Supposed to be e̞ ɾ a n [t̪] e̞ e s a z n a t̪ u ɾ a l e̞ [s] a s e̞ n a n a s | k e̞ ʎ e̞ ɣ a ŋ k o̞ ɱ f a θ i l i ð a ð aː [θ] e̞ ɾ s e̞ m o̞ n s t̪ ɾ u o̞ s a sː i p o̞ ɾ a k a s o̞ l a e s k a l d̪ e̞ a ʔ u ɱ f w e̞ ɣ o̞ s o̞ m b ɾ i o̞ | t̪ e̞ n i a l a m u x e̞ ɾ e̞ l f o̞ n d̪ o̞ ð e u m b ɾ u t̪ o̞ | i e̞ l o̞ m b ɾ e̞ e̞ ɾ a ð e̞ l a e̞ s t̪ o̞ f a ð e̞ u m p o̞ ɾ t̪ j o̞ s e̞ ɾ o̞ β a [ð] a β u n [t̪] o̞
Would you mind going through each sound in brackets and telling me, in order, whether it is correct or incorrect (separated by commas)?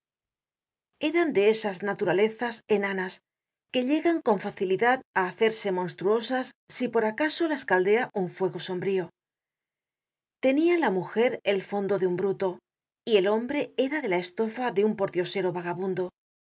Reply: incorrect, incorrect, correct, incorrect, incorrect